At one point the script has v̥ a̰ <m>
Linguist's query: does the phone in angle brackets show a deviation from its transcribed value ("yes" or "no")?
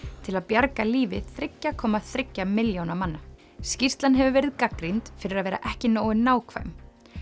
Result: no